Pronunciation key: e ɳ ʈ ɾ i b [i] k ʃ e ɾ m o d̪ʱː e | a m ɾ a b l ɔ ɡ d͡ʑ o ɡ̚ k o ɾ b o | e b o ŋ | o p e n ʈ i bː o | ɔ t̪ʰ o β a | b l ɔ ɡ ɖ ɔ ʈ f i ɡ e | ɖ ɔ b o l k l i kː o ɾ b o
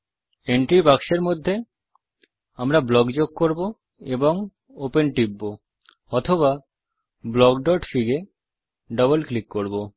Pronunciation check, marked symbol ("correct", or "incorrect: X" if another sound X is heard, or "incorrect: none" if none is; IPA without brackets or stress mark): incorrect: a